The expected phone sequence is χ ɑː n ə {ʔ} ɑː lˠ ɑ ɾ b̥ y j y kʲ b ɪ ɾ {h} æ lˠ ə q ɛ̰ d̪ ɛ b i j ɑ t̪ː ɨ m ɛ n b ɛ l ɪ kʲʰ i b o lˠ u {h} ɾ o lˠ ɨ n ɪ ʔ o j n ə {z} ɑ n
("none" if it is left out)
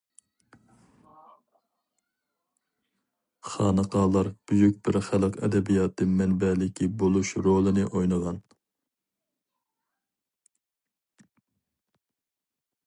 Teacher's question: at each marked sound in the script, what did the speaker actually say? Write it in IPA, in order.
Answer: q, χ, ʃ, ʁ

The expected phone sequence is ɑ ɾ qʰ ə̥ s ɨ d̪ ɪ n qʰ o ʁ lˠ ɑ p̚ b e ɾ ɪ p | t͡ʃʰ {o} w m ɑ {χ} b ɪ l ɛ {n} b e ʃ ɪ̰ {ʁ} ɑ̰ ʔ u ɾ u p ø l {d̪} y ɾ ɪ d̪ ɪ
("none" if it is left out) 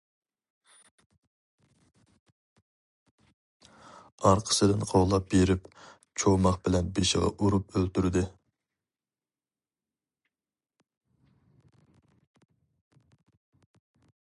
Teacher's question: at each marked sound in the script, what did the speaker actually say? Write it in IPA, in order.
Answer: o, χ, n, ʁ, t̪

